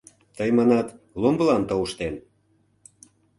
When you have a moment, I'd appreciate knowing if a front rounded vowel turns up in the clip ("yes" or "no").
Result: no